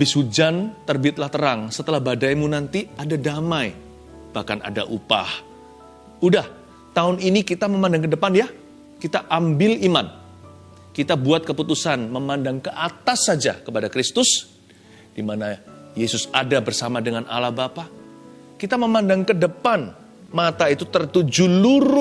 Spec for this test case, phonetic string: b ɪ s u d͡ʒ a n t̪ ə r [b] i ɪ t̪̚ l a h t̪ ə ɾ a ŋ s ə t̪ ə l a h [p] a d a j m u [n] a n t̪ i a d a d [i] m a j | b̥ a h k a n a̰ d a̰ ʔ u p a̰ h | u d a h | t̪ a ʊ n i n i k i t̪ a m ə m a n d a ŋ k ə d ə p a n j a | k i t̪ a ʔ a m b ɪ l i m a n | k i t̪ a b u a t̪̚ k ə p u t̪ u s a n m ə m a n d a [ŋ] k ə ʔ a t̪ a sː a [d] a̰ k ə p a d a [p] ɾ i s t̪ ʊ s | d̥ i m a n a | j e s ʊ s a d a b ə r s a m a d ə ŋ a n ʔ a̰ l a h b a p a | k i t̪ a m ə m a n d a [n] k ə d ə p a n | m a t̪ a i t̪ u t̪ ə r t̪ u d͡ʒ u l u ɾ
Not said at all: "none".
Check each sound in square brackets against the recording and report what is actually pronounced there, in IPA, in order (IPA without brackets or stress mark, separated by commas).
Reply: b, b, n, a, ŋ, d͡ʒ, k, ŋ